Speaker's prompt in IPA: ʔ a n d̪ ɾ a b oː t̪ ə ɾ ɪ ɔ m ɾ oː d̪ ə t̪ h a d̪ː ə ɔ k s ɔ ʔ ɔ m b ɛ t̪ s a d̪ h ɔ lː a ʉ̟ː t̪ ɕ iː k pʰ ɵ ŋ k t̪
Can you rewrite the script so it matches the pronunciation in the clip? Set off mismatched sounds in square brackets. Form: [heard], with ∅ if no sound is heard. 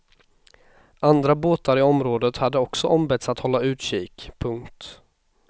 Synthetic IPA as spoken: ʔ a n d̪ ɾ a b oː t̪ [a] ɾ ɪ ɔ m ɾ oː d̪ ə t̪ h a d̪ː ə ɔ k s ɔ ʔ ɔ m b ɛ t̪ s a [t̪] h ɔ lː a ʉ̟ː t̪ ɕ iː k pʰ ɵ ŋ k t̪

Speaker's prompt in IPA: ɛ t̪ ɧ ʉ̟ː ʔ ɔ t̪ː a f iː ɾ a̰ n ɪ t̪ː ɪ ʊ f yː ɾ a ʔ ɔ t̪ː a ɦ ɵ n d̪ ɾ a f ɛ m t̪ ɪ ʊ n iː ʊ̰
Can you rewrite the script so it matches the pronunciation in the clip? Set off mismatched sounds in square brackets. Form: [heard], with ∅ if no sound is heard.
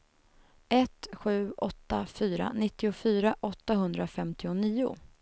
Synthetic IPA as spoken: ɛ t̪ ɧ ʉ̟ː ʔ ɔ t̪ː a f [yː] ɾ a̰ n ɪ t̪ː ɪ ʊ f yː ɾ a ʔ ɔ t̪ː a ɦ ɵ n d̪ ɾ a f ɛ m t̪ ɪ ʊ n iː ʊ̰

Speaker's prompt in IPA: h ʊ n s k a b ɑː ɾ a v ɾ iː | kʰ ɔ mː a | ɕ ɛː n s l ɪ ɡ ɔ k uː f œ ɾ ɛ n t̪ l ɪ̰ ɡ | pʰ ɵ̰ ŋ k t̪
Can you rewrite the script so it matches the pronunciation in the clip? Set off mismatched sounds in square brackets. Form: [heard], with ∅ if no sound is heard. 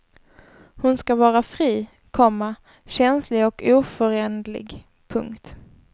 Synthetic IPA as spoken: h ʊ n s k a [v] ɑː ɾ a [f] ɾ iː | kʰ ɔ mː a | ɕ [ɛ] n s l ɪ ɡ ɔ k uː f œ ɾ ɛ n [d̪] l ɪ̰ ɡ | pʰ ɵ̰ ŋ k t̪

